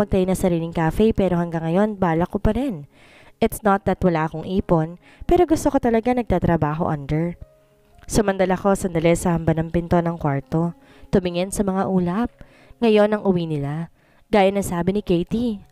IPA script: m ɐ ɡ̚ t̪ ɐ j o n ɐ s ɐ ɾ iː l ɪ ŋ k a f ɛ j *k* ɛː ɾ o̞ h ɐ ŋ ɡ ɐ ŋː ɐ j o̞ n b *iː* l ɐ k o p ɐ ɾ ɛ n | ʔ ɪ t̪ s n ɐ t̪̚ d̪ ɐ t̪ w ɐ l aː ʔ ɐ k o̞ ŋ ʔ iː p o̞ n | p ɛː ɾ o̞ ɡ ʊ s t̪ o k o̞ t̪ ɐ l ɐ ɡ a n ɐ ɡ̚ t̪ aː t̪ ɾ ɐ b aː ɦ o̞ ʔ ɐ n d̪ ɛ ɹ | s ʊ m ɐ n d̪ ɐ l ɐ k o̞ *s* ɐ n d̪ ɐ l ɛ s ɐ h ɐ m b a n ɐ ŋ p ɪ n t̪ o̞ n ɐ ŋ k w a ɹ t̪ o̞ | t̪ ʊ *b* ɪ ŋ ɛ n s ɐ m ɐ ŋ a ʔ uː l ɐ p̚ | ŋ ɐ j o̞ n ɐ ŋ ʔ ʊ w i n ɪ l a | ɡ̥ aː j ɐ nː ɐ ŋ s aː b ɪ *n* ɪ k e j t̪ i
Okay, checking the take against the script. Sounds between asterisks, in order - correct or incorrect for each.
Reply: incorrect: p, incorrect: aː, correct, incorrect: m, correct

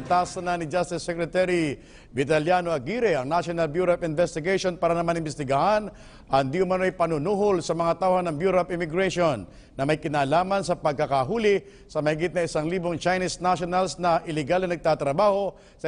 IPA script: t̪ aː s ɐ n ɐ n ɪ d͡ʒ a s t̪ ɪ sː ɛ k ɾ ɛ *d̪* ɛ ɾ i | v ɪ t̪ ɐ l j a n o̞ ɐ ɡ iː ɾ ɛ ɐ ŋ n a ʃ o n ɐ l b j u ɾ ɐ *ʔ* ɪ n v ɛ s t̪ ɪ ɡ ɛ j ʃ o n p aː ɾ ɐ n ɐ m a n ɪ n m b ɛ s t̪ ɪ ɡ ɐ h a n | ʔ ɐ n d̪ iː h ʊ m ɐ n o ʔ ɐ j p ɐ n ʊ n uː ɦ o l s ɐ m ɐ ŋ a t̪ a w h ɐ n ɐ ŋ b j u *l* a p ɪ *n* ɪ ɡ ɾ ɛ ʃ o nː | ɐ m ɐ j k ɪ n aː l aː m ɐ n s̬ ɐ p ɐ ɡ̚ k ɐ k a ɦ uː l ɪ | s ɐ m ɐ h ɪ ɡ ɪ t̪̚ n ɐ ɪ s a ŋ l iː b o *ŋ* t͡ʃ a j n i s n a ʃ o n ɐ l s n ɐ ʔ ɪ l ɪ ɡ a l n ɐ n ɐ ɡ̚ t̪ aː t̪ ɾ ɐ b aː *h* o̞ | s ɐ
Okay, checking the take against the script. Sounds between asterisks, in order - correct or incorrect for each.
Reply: incorrect: t̪, incorrect: p, incorrect: ɾ, incorrect: m, correct, correct

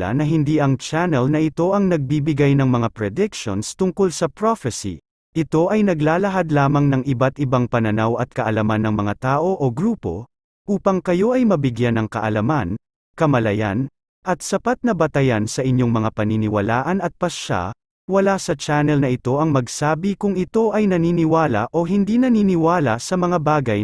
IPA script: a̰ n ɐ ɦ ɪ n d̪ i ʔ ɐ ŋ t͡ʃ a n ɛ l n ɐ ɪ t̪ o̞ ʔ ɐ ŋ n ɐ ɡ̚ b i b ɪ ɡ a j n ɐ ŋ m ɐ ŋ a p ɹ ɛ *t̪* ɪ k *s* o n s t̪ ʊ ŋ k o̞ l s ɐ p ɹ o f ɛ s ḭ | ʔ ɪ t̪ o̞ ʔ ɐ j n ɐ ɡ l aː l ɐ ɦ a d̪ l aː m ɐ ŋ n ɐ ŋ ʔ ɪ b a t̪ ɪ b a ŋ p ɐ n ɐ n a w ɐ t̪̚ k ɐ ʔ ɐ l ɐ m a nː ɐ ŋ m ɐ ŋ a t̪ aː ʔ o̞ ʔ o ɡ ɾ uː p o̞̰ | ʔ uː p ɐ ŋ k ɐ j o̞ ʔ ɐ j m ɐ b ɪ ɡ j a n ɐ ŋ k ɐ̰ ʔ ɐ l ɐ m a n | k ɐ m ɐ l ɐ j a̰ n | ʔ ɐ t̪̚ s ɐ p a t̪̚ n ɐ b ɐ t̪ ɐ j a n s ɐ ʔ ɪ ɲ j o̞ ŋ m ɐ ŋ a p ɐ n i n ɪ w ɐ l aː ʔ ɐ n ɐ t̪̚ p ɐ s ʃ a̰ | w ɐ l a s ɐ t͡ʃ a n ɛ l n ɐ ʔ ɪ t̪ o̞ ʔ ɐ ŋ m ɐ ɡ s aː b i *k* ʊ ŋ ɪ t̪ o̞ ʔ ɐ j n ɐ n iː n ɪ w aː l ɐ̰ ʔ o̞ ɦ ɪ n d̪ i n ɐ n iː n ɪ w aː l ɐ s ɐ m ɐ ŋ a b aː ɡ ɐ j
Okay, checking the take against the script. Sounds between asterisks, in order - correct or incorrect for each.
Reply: incorrect: d̪, incorrect: ʃ, correct

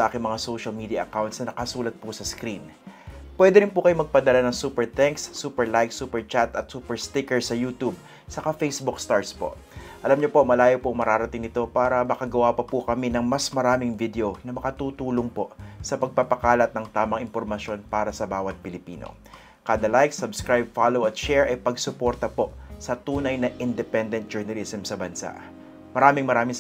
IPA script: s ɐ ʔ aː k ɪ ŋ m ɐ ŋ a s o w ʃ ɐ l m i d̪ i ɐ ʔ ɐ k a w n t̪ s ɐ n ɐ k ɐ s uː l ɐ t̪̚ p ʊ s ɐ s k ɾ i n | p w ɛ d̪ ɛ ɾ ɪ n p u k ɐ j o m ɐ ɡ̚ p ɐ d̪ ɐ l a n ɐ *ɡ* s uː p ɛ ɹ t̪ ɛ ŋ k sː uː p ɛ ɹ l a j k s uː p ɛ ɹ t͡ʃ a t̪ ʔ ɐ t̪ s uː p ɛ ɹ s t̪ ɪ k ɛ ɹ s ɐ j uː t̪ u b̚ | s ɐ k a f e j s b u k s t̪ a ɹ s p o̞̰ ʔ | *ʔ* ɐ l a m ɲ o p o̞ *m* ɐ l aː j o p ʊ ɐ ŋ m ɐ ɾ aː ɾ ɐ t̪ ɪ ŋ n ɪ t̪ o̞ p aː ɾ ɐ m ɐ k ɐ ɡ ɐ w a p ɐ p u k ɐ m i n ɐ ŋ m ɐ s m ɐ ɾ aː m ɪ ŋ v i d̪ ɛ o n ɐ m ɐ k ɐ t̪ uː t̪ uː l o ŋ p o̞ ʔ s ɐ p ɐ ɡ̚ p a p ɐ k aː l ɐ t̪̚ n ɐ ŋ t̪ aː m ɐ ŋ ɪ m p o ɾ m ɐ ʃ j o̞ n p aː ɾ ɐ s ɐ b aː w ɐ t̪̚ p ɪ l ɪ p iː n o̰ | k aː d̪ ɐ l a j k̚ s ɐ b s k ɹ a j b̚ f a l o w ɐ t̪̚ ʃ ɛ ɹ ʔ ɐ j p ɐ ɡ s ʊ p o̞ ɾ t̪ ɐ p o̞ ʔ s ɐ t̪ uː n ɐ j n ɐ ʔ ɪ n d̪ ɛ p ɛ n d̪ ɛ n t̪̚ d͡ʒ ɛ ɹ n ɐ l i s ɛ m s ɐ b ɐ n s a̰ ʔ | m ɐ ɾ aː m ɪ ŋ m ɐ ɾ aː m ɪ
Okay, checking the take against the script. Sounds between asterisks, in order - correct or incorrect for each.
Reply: incorrect: ŋ, correct, correct

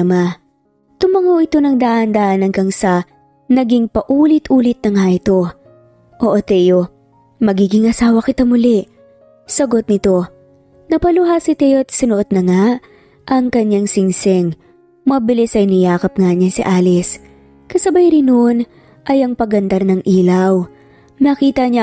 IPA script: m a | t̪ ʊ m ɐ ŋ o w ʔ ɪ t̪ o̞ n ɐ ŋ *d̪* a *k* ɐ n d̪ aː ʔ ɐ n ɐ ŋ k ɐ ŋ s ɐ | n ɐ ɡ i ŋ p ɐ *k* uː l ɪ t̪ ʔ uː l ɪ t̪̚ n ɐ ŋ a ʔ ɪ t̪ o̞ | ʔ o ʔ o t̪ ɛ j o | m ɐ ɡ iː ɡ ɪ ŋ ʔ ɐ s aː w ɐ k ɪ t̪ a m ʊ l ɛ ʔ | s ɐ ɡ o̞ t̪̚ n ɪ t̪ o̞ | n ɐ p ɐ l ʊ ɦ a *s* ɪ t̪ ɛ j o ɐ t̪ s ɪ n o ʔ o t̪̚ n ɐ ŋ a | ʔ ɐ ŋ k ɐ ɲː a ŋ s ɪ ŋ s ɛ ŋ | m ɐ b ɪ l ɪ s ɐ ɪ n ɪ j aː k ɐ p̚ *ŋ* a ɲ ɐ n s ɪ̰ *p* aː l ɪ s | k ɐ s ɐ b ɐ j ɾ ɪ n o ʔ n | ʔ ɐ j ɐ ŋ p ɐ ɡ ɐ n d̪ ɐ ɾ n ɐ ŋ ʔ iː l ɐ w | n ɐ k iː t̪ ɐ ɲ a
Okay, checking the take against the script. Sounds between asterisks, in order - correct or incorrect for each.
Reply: correct, incorrect: ʔ, incorrect: ʔ, correct, correct, incorrect: ʔ

